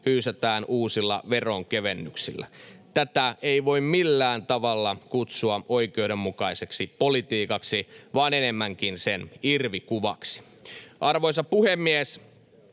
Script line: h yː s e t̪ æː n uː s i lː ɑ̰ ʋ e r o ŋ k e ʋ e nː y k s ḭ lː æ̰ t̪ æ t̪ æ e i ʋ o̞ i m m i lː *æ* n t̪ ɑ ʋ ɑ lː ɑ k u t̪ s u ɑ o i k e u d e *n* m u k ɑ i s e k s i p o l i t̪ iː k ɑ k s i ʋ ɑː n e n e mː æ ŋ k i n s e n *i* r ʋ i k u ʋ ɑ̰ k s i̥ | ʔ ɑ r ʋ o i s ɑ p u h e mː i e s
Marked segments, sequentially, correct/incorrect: incorrect, incorrect, correct

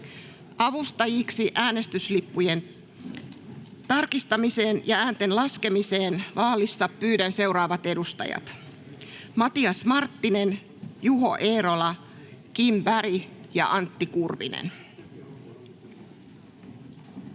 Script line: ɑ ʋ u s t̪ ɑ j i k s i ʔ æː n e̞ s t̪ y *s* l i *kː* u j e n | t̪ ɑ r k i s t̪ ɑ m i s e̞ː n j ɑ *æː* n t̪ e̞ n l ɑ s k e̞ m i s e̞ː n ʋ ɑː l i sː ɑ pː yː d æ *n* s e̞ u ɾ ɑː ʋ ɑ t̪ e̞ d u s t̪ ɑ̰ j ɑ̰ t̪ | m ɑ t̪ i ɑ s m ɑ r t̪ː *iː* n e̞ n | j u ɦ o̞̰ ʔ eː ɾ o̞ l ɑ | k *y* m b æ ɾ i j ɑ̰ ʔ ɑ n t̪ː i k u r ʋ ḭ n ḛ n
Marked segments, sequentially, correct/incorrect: correct, incorrect, correct, correct, incorrect, incorrect

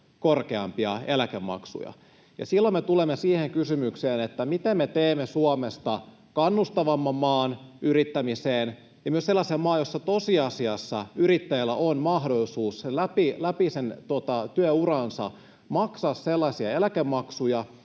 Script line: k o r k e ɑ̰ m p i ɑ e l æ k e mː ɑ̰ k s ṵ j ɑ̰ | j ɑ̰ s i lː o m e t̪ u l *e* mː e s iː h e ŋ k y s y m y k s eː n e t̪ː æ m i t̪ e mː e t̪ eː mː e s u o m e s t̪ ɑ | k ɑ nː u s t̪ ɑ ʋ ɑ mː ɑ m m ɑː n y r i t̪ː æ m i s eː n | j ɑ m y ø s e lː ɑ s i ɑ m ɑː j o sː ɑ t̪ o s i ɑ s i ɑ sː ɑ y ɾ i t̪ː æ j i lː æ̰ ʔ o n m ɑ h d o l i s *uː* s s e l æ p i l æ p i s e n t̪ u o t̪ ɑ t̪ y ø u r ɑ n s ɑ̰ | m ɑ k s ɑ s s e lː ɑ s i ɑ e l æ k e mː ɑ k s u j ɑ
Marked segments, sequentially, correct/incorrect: correct, correct

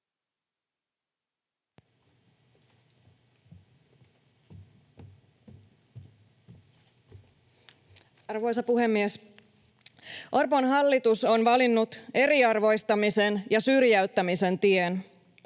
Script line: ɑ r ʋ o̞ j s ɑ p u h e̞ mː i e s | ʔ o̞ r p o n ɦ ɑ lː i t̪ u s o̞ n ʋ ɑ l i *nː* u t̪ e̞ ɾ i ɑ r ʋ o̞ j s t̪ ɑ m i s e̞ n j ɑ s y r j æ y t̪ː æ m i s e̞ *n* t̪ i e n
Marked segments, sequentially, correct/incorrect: correct, correct

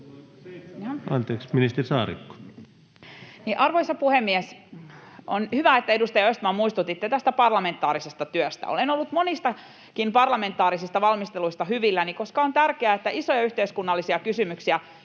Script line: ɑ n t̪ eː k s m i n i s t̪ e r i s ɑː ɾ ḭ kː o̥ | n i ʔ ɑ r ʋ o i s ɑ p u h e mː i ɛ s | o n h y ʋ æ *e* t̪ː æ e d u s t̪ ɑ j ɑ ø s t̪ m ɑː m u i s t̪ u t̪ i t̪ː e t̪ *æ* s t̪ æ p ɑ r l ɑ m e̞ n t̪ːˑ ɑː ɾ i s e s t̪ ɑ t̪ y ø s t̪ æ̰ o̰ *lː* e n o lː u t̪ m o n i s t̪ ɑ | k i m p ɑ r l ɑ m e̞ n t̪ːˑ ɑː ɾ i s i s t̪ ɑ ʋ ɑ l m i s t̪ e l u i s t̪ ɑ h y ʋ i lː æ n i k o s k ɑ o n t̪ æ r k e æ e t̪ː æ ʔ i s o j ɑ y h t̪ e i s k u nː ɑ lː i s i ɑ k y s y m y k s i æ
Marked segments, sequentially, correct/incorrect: correct, correct, incorrect

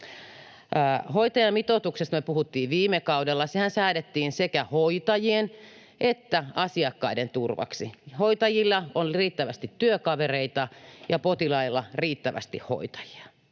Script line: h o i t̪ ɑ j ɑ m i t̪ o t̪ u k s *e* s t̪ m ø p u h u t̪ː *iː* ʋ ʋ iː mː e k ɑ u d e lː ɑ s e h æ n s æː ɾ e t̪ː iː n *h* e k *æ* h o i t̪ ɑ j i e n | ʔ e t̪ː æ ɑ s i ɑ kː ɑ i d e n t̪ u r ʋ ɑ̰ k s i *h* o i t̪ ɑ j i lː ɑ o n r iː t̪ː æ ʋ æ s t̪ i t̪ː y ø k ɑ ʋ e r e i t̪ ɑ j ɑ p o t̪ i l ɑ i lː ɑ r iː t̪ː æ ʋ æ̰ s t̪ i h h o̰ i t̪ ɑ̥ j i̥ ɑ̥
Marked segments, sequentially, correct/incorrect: correct, correct, incorrect, correct, correct

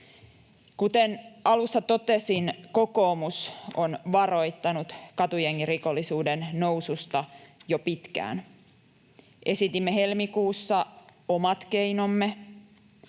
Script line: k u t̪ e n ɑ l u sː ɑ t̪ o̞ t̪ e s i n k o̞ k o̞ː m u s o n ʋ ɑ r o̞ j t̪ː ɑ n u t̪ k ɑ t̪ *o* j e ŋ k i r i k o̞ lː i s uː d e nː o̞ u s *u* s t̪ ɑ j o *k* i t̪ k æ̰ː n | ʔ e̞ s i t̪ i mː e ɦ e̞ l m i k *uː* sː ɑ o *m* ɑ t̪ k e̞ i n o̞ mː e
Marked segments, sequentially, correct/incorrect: incorrect, correct, incorrect, correct, correct

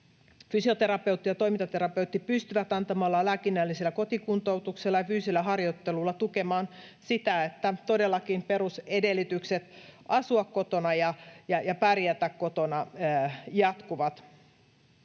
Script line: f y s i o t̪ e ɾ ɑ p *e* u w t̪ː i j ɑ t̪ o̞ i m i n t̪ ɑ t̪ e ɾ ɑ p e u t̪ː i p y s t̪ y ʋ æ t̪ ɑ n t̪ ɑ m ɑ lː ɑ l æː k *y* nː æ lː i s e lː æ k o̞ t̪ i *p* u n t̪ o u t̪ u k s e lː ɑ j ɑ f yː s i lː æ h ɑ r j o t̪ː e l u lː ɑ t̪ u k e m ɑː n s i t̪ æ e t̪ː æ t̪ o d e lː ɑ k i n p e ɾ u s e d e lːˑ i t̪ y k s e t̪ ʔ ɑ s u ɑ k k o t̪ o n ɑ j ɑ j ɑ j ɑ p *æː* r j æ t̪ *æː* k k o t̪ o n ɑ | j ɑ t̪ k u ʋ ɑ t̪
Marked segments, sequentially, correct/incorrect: correct, incorrect, incorrect, incorrect, incorrect

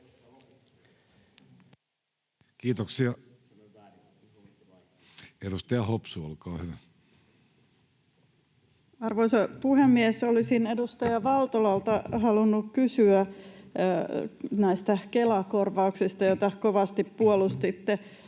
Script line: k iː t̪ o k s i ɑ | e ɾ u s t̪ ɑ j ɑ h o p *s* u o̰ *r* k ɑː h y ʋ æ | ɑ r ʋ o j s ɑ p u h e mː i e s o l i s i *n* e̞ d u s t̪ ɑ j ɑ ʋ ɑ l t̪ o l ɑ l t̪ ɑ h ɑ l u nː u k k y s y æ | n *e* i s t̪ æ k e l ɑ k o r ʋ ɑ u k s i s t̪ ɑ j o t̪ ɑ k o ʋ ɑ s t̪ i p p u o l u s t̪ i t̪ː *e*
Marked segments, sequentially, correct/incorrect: correct, incorrect, correct, incorrect, correct

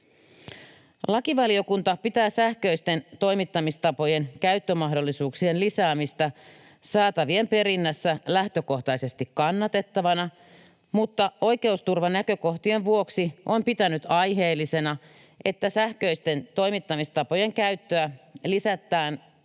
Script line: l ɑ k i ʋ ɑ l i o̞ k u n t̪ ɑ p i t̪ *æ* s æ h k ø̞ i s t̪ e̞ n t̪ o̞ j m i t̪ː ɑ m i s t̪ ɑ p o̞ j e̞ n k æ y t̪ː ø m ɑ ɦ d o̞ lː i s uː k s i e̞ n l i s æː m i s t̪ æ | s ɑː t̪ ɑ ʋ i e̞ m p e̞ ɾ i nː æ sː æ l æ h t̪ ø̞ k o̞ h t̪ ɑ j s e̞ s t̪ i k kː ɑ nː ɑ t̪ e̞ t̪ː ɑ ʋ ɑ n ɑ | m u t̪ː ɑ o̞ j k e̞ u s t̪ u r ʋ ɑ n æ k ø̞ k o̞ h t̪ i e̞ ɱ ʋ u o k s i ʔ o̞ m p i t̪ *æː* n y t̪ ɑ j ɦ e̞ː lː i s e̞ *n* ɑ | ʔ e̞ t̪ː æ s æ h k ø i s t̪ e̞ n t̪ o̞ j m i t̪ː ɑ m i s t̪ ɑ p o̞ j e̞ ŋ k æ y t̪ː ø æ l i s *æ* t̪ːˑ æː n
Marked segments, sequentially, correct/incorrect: incorrect, incorrect, correct, correct

